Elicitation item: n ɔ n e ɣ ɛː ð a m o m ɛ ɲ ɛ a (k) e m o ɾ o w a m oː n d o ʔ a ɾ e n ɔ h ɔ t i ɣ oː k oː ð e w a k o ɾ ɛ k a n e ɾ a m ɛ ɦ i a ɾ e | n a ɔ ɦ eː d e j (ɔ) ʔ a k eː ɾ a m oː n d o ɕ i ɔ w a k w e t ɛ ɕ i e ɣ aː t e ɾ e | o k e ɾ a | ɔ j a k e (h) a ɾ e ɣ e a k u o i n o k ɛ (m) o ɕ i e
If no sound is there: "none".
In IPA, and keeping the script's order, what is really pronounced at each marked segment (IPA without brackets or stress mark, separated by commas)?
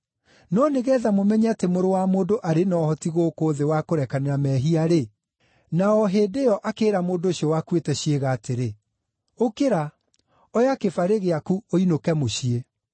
t, ɔ, f, m